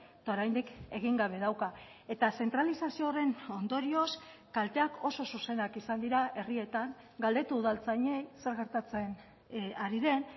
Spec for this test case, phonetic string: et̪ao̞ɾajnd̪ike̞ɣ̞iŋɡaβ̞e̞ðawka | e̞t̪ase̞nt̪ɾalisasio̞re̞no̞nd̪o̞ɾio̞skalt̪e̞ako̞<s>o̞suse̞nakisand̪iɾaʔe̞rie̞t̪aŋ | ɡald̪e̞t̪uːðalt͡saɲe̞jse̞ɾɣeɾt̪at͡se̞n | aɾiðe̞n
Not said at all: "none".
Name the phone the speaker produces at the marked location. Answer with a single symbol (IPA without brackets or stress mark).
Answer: s